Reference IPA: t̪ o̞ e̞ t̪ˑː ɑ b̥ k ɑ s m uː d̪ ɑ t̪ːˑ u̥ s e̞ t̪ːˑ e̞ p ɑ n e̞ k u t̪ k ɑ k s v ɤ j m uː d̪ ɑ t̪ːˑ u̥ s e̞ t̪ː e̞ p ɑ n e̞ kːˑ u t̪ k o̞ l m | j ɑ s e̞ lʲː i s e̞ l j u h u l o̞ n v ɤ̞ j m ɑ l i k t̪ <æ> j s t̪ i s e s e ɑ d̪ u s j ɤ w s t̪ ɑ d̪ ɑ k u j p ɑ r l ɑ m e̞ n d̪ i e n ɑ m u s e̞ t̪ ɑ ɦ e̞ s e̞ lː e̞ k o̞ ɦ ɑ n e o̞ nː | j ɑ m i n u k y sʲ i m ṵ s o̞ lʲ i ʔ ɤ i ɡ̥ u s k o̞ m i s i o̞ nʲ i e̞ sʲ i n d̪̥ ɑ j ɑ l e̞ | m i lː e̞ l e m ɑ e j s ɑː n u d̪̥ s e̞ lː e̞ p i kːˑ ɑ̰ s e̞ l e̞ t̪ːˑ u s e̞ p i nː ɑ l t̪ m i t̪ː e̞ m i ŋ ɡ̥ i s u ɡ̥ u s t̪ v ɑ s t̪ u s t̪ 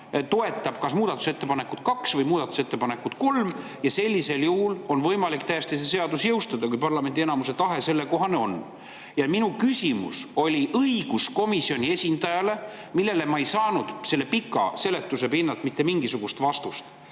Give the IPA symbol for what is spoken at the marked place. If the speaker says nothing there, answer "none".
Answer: æ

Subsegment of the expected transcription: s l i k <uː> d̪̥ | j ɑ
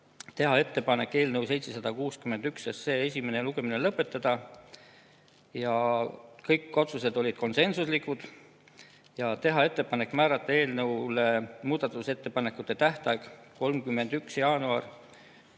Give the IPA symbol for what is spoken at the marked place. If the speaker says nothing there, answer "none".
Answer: u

